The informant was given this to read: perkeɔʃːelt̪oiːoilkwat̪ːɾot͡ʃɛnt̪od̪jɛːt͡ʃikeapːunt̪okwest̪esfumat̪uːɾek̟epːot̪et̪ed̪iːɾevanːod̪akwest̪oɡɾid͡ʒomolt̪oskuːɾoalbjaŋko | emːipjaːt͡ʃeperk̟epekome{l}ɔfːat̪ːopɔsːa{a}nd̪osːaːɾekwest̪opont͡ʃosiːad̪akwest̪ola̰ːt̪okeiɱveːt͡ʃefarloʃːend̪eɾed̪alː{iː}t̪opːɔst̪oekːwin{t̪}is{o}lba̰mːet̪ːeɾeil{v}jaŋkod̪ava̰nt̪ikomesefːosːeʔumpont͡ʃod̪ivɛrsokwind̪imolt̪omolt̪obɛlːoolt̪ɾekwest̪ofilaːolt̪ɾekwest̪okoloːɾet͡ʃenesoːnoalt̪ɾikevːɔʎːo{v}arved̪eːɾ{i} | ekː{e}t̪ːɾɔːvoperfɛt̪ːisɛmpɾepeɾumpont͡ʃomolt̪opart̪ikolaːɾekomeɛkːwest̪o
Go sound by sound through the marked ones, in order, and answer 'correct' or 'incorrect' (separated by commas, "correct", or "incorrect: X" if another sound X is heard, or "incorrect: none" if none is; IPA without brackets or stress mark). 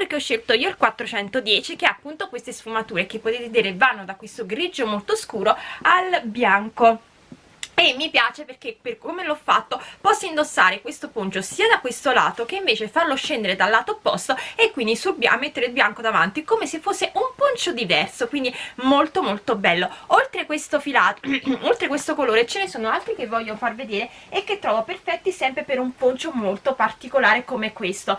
correct, incorrect: i, incorrect: aː, incorrect: d̪, incorrect: u, incorrect: b, incorrect: f, incorrect: e, correct